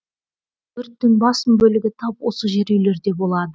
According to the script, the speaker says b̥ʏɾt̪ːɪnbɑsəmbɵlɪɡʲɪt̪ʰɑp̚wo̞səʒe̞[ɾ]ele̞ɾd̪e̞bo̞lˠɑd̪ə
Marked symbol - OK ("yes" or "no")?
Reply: yes